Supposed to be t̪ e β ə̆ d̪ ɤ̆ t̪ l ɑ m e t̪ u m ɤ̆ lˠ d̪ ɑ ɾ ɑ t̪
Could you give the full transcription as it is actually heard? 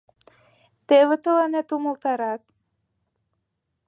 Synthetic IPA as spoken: t̪ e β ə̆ t̪ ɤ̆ l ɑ n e t̪ u m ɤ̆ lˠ t̪ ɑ ɾ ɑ t̪